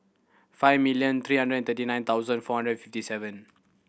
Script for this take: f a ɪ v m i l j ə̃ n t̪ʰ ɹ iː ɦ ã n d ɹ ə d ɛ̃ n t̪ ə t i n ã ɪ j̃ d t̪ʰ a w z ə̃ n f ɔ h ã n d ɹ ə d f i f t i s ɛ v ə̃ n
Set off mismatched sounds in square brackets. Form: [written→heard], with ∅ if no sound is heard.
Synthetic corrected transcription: f a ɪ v m i l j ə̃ n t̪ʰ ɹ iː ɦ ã n d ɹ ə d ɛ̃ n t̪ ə t i n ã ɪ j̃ [d→n] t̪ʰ a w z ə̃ n f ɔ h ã n d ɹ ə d f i f t i s ɛ v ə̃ n

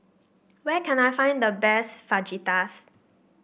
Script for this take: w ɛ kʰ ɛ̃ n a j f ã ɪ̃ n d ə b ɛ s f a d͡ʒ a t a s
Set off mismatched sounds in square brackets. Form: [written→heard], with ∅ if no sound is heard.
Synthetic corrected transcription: w ɛ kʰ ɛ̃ n a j f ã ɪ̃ n d ə b ɛ s f a d͡ʒ [a→i] t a s

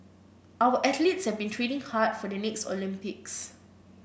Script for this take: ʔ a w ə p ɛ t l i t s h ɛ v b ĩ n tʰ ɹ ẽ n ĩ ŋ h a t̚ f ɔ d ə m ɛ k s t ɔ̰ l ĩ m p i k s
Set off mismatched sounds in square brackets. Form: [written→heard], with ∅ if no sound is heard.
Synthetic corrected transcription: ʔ a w ə [p→ʔ] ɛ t l i t s h ɛ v b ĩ n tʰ ɹ [ẽ→e] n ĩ ŋ h a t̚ f ɔ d ə [m→n] ɛ k s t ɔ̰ l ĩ m p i k s

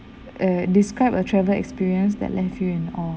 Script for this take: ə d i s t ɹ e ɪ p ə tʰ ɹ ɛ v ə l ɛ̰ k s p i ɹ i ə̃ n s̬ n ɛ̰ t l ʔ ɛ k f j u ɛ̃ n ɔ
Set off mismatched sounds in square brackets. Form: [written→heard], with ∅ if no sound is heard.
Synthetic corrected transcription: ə d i s [t→k] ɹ [e→a] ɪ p ə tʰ ɹ ɛ v ə l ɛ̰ k s p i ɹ i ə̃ n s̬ [n→d] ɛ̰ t l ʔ ɛ [k→∅] f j u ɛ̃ n ɔ

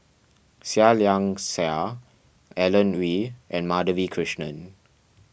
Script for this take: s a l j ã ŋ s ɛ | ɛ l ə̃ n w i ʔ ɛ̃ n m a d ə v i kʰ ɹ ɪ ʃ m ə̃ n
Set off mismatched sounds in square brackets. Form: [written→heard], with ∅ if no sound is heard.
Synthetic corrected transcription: s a l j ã ŋ s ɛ | ɛ l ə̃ n w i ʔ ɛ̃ n m a d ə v i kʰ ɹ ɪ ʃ [m→n] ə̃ n

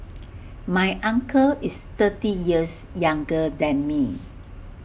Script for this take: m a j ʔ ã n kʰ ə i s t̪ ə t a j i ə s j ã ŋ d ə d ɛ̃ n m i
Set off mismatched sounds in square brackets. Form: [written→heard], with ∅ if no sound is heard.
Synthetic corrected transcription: m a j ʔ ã [n→ŋ] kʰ ə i s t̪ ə t [a→i] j i ə s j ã ŋ [d→ɡ] ə d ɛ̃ n m i

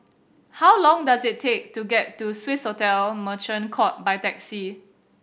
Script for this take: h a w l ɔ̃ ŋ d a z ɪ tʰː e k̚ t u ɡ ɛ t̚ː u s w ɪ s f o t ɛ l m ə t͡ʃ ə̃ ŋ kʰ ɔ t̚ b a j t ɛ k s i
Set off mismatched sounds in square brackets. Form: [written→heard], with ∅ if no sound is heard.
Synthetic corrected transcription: h a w l ɔ̃ ŋ d a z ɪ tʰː e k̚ t u ɡ ɛ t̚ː u s w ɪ s [f→h] o t ɛ l m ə t͡ʃ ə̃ [ŋ→n] kʰ ɔ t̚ b a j t ɛ k s i

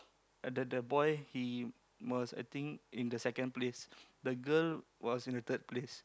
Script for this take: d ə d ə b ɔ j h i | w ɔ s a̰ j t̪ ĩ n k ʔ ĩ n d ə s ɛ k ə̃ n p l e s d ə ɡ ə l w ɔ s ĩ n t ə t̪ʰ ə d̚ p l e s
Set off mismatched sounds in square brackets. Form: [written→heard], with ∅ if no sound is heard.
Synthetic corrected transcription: d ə d ə b ɔ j h i | w ɔ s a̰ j t̪ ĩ [n→ŋ] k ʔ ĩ n d ə s ɛ k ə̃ n p l e s d ə ɡ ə l w ɔ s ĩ n [t→d] ə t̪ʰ ə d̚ p l e s

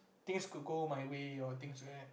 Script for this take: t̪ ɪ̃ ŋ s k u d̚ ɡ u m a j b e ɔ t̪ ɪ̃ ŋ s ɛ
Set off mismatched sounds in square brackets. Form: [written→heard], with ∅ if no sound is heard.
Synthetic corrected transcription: t̪ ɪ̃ ŋ s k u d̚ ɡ [u→o] m a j [b→w] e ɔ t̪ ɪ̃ ŋ s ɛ

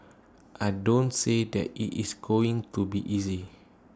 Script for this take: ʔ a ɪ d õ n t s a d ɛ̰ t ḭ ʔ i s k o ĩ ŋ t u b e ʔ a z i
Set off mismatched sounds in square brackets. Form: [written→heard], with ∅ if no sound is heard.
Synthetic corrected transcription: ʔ a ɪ d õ n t s [a→e] d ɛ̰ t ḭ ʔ i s [k→ɡ] o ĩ ŋ t u b [e→i] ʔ [a→i] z i

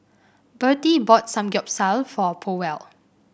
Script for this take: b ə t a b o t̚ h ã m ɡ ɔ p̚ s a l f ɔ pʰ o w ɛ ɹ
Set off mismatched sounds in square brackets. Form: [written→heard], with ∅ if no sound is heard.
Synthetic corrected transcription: b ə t [a→i] b [o→ɔ] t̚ [h→s] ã m ɡ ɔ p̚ s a l f ɔ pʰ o w ɛ [ɹ→l]

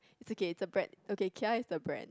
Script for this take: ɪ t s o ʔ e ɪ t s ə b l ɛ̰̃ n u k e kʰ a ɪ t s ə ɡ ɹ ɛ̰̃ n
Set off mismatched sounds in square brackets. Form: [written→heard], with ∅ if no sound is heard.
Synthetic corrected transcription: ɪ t s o [ʔ→k] e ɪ t s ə b [l→ɹ] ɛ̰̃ n [u→o] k e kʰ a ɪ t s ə [ɡ→b] ɹ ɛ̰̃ n

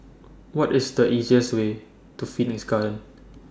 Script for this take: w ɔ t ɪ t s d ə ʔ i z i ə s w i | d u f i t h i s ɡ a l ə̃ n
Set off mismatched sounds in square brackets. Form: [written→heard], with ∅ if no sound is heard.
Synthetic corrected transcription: w ɔ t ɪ [t→∅] s d ə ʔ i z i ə s w [i→e] | [d→t] u f i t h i s ɡ a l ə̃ n

